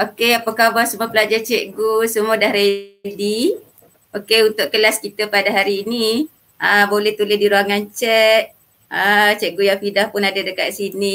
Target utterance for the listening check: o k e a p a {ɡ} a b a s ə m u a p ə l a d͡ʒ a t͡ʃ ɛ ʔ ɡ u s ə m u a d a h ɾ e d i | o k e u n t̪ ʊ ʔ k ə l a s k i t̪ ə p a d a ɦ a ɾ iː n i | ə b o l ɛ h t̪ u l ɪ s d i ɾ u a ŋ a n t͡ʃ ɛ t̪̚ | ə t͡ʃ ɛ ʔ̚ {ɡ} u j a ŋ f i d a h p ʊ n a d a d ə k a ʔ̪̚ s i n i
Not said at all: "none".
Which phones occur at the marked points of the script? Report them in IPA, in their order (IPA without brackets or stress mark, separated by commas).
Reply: k, ɡ